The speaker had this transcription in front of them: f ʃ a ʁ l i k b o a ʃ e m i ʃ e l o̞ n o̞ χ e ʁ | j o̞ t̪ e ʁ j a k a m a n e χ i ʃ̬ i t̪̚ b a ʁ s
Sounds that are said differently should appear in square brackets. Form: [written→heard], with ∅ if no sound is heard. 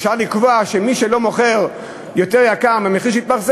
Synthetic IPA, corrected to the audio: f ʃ a ʁ l i k [b→v] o a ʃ e m i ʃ e l o̞ [n→m] o̞ χ e ʁ | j o̞ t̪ e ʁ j a k a m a [n→m] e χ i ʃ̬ i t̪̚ b a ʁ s